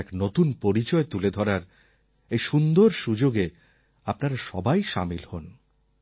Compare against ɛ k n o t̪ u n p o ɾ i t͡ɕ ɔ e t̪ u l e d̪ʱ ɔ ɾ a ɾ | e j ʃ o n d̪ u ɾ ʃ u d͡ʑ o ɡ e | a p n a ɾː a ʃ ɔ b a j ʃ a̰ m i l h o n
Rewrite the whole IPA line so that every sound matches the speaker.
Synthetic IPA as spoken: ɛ k n o t̪ u n p o ɾ i t͡ɕ ɔ e t̪ u l e d̪ʱ ɔ ɾ a ɾ | e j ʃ u n d̪ o ɾ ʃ u d͡ʑ o ɡ e | a p n a ɾ a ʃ ɔ b a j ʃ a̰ m i l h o n

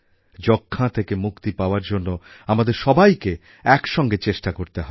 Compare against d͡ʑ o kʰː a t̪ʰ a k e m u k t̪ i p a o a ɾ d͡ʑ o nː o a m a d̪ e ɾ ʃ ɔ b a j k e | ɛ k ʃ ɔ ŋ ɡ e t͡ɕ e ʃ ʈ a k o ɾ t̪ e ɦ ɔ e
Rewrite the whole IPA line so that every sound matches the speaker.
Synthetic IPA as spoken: d͡ʑ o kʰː a t̪ʰ e k e m u k t̪ i p a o a ɾ d͡ʑ o nː o a m a d̪ e ɾ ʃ ɔ b a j k e | ɛ k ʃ ɔ ŋ ɡ e t͡ɕ e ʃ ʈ a k o ɾ t̪ e ɦ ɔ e

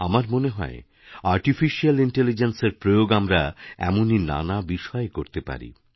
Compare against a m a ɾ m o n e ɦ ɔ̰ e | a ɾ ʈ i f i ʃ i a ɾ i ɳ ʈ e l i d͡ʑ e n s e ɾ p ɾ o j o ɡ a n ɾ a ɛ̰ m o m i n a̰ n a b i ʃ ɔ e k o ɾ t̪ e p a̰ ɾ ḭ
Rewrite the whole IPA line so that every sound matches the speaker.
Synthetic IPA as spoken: a m a ɾ m o n e ɦ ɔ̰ e | a ɾ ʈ i f i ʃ i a l i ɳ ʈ e l i d͡ʑ e n s e ɾ p ɾ o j o ɡ a m ɾ a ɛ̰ m o n i n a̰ n a b i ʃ ɔ e k o ɾ t̪ e p a̰ ɾ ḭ

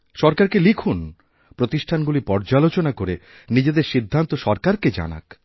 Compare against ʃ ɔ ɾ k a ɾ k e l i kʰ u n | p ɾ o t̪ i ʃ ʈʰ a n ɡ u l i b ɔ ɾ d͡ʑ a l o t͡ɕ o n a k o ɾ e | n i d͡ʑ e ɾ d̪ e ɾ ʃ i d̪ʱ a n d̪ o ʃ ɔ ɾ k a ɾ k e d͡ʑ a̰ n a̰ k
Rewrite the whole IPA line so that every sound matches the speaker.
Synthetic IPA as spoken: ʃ ɔ ɾ k a ɾ k e l i kʰ u n | p ɾ o t̪ i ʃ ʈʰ a n ɡ u l i p ɔ ɾ d͡ʑ a l o t͡ɕ o n a k o ɾ e | n i d͡ʑ e d̪ e ɾ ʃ i d̪ʱː a n t̪ o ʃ ɔ ɾ k a ɾ k e d͡ʑ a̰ n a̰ k

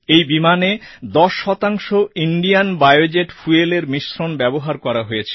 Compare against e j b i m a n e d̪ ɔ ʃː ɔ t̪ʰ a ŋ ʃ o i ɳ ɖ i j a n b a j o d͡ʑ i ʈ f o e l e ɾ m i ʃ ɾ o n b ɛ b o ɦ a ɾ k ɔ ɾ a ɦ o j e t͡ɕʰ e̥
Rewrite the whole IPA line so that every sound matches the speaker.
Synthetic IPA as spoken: e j b i m a n e d̪ ɔ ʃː ɔ t̪ a ŋ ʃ o i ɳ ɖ i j a n b a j o d͡ʑ e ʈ f u e l e ɾ m i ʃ ɾ o n b ɛ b o ɦ a ɾ k ɔ ɾ a ɦ o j e t͡ɕʰ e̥

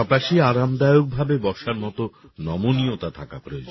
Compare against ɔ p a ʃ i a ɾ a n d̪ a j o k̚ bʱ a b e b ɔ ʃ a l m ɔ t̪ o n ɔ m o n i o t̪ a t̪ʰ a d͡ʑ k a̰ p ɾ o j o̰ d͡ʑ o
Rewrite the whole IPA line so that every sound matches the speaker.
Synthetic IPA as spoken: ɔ p a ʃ i a ɾ a m d̪ a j o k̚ bʱ a b e b ɔ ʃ a ɾ m ɔ t̪ o n ɔ m o n i o t̪ a t̪ʰ a k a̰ p ɾ o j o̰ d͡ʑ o

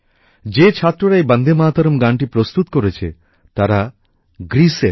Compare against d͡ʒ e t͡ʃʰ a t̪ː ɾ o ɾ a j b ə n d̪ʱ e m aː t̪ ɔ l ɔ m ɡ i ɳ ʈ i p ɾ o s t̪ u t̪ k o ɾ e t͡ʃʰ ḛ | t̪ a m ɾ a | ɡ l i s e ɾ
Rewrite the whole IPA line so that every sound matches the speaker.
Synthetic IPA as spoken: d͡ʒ e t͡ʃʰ a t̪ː ɾ o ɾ a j b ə n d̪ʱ e m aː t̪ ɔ ɾ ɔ m ɡ a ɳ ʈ i p ɾ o s t̪ u t̪ k o ɾ e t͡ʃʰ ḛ | t̪ a ɾ a | ɡ ɾ i s e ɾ

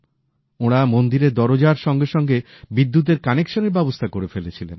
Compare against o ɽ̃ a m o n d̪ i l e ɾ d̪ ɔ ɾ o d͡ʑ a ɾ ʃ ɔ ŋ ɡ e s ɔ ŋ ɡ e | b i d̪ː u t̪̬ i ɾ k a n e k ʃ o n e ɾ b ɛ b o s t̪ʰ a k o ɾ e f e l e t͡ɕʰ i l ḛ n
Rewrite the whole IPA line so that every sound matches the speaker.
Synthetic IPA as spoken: o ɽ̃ a m o n d̪ i ɾ e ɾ d̪ ɔ ɾ o d͡ʑ a ɾ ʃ ɔ ŋ ɡ e ʃ ɔ ŋ ɡ e | b i d̪ː u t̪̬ e ɾ k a n e k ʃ o n e ɾ b ɛ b o s t̪ʰ a k o ɾ e f e l e t͡ɕʰ i l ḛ n

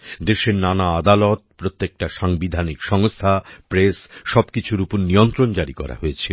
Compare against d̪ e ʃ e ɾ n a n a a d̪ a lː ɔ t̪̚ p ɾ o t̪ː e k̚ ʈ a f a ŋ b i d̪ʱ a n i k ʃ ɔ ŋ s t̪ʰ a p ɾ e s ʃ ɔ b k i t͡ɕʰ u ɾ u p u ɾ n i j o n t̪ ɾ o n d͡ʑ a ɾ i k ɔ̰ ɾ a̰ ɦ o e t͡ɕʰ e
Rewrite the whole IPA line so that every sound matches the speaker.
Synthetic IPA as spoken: d̪ e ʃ e ɾ n a n a a d̪ a l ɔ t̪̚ p ɾ o t̪ː e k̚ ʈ a ʃ a ŋ b i d̪ʱ a n i k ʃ ɔ ŋ s t̪ʰ a p ɾ e s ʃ ɔ b k i t͡ɕʰ u ɾ u p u ɾ n i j o n t̪ ɾ o n d͡ʑ a ɾ i k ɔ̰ ɾ a̰ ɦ o e t͡ɕʰ e

